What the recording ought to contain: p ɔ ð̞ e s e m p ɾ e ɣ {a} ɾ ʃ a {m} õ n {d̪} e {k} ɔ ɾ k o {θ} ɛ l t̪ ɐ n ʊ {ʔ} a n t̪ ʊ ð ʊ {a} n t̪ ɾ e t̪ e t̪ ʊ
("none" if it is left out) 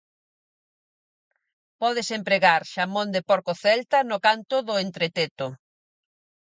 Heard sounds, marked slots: a, m, d̪, p, θ, k, e

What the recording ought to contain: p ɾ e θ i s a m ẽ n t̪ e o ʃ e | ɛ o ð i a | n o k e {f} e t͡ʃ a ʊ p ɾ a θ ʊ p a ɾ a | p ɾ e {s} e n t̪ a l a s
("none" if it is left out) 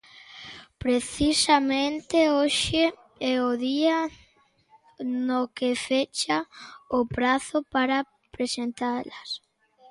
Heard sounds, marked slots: f, s

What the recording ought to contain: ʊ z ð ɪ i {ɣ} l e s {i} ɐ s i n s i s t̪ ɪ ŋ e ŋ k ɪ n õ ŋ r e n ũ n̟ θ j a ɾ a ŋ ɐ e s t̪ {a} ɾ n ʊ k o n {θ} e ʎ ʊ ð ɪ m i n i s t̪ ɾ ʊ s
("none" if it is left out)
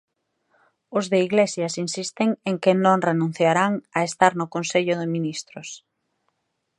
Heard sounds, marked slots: ɣ, j, a, s

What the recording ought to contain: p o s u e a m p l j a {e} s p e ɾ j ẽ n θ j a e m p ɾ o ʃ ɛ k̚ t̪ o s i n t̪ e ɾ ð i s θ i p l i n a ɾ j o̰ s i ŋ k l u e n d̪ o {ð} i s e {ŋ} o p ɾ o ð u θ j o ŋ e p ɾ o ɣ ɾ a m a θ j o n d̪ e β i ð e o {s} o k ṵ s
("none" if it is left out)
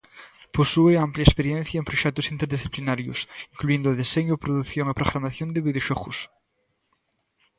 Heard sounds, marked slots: e, ð, ɲ, ʃ

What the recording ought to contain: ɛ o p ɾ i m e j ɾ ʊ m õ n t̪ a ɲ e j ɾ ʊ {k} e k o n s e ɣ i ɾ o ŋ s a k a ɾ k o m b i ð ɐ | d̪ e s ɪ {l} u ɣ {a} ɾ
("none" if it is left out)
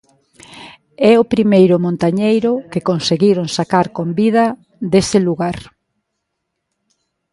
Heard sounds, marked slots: k, l, a

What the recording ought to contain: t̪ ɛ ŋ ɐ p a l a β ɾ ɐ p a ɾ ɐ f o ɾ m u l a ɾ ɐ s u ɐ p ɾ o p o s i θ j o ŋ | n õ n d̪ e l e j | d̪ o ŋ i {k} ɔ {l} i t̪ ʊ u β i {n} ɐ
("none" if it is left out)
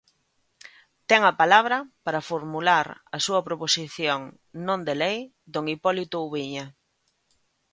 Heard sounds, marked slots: p, l, ɲ

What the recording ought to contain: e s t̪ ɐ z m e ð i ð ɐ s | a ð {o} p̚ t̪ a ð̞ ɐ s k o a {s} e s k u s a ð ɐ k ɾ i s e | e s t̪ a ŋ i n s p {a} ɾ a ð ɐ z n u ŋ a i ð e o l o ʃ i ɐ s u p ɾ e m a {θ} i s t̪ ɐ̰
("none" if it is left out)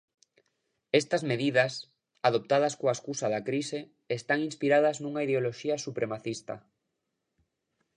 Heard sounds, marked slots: o, none, i, θ

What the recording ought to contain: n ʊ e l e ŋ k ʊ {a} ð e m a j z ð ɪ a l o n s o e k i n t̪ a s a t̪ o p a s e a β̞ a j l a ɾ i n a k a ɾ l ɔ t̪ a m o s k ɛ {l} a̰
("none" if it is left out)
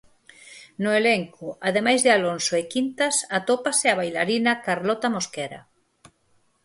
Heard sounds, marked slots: a, ɾ

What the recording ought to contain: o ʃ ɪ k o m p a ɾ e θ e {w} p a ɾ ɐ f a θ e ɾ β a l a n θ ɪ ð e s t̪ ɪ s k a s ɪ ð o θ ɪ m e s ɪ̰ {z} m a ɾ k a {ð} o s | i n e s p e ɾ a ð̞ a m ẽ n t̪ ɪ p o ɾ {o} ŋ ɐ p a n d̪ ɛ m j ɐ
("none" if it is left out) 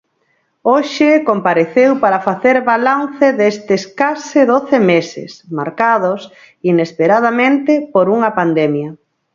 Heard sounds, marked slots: w, s, ð, u

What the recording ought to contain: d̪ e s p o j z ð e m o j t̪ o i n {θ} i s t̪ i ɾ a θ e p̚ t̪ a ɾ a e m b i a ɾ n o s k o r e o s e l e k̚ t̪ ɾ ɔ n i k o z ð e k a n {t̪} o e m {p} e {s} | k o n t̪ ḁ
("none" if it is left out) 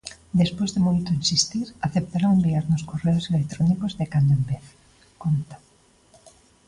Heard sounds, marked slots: s, d̪, b, θ

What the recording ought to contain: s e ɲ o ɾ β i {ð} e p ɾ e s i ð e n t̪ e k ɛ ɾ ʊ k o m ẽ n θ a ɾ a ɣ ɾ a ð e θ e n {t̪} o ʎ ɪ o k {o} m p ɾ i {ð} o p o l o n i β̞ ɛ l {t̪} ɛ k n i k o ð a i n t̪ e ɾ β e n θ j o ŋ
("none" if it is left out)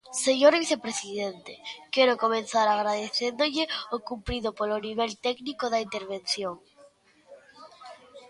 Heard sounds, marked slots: θ, d̪, u, ð, t̪

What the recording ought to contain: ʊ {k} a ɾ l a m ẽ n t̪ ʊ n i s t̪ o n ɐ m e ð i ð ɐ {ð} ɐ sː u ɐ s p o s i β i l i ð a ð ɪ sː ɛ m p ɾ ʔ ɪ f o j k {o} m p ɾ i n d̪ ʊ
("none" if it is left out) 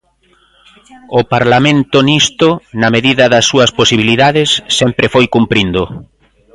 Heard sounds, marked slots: p, ð, u

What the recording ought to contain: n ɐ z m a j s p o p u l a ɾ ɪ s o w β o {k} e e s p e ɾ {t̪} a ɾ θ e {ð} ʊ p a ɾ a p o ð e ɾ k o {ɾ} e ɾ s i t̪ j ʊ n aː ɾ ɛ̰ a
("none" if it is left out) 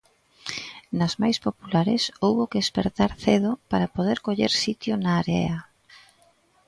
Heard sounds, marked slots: k, t̪, ð, ʎ

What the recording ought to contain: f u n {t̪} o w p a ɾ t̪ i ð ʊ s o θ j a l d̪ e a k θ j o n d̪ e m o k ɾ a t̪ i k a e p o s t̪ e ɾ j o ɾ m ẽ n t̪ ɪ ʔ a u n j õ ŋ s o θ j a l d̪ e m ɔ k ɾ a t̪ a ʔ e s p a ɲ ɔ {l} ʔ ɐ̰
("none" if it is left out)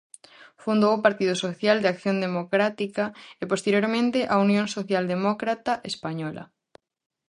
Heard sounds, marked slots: d̪, l

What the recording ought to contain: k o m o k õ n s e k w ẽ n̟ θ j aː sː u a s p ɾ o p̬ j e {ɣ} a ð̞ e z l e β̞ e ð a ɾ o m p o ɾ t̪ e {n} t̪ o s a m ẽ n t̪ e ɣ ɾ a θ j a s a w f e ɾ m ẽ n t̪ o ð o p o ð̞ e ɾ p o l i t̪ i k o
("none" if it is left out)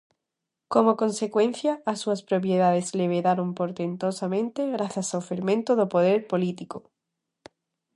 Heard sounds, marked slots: ð, n

